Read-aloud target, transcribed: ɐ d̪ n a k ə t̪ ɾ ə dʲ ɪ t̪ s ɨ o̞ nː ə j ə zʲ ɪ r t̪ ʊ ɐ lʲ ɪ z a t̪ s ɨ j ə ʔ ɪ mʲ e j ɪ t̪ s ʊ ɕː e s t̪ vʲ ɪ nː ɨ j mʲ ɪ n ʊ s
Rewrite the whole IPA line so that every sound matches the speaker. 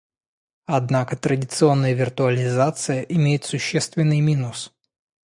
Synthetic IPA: ɐ d̪ n a k ə t̪ ɾ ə dʲ ɪ t̪ s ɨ o̞ nː ə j ə vʲ ɪ r t̪ ʊ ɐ lʲ ɪ z a t̪ s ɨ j ə ʔ ɪ mʲ e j ɪ t̪ s ʊ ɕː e s t̪ vʲ ɪ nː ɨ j mʲ i n ʊ s